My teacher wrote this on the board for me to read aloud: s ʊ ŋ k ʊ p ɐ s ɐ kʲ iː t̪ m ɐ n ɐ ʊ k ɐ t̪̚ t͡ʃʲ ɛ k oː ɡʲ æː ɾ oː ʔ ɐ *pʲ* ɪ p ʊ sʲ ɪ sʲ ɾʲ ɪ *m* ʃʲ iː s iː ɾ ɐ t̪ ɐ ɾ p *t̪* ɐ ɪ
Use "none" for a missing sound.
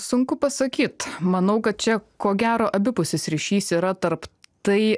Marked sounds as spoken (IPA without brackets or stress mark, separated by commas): bʲ, none, t̪